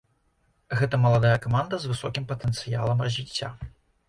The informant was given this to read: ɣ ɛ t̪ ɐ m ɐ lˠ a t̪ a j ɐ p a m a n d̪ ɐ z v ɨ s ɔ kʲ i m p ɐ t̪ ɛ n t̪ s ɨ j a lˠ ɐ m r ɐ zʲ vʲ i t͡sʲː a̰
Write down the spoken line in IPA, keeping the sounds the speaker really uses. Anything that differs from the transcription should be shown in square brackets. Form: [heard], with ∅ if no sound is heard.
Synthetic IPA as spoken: ɣ ɛ t̪ ɐ m ɐ lˠ a [d̪] a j ɐ [k] a m a n d̪ ɐ z v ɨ s ɔ kʲ i m p ɐ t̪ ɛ n t̪ s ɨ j a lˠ ɐ m r ɐ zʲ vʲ i t͡sʲː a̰